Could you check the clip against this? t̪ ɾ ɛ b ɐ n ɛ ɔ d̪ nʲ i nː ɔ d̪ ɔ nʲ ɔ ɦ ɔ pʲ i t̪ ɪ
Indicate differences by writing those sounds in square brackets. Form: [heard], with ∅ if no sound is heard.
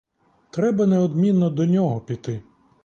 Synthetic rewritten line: t̪ ɾ ɛ b ɐ n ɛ ɔ d̪ [mʲ] i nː ɔ d̪ ɔ nʲ ɔ ɦ ɔ pʲ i t̪ ɪ

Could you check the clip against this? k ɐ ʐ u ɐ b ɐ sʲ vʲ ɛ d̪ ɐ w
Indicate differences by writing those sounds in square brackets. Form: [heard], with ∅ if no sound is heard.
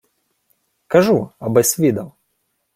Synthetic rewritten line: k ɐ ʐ u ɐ b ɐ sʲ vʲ [i] d̪ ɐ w

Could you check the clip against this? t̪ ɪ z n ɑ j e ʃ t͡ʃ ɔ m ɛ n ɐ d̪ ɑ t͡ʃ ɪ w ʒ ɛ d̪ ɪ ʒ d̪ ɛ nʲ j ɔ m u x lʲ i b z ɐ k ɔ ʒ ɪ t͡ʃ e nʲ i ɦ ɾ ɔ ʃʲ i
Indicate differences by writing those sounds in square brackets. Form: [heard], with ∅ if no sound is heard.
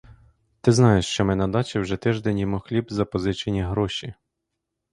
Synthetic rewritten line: t̪ ɪ z n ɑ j e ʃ t͡ʃ ɔ m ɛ n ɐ d̪ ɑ t͡ʃ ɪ w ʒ ɛ [t̪] ɪ ʒ d̪ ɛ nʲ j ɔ m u x lʲ i b z ɐ [p] ɔ [z] ɪ t͡ʃ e nʲ i ɦ ɾ ɔ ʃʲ i

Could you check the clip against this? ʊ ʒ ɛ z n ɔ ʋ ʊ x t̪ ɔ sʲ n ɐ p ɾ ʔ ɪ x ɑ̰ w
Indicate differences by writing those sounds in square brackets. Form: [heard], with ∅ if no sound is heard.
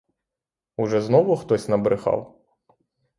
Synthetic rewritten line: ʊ ʒ ɛ z n ɔ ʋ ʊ x t̪ ɔ sʲ n ɐ [b] ɾ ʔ ɪ x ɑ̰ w

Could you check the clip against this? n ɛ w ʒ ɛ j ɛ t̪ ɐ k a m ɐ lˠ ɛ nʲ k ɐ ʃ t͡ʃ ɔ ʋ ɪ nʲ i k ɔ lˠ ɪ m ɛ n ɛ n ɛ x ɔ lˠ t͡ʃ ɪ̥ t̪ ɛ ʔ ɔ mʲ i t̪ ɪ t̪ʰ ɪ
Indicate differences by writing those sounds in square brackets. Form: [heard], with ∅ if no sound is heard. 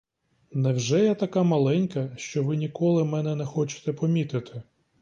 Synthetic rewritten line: n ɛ w ʒ ɛ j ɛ t̪ ɐ k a m ɐ lˠ ɛ nʲ k ɐ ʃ t͡ʃ ɔ ʋ ɪ nʲ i k ɔ lˠ ɪ m ɛ n ɛ n ɛ x ɔ [∅] t͡ʃ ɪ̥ t̪ ɛ [p] ɔ mʲ i t̪ ɪ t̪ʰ ɪ

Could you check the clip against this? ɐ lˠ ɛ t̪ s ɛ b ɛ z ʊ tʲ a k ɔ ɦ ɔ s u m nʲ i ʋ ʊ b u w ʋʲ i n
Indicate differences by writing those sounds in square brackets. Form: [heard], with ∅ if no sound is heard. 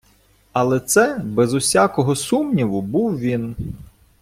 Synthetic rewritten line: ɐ lˠ ɛ t̪ s ɛ b ɛ z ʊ [sʲ] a k ɔ ɦ ɔ s u m nʲ i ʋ ʊ b u w ʋʲ i n

